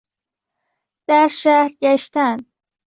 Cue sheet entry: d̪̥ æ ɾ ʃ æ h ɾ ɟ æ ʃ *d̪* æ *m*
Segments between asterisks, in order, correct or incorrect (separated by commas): incorrect, incorrect